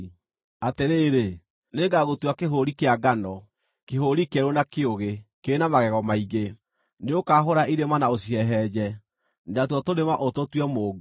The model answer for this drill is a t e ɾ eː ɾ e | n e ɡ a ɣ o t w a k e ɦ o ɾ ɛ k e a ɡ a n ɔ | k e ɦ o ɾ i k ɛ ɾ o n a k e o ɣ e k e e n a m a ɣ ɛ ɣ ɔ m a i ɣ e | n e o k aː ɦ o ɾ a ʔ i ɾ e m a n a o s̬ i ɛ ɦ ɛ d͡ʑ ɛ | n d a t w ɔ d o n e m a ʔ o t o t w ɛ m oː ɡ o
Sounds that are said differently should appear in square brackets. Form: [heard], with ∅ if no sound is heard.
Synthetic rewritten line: a t e ɾ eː ɾ e | n e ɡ a ɣ o t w a k e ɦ o ɾ [i] k e a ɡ a n ɔ | k e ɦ o ɾ i k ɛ ɾ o n a k e o ɣ e k e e n a m a ɣ ɛ ɣ ɔ m a i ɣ e | n e o k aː ɦ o ɾ a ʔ i ɾ e m a n a o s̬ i ɛ ɦ ɛ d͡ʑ ɛ | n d a t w ɔ [t] o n e m a ʔ o t o t w ɛ m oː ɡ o